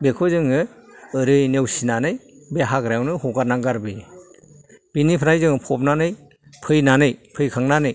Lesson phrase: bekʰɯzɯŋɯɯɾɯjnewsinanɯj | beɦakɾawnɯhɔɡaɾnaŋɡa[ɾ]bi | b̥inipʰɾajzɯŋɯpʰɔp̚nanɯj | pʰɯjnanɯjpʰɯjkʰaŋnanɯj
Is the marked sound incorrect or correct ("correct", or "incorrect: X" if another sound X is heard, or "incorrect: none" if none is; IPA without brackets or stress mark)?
correct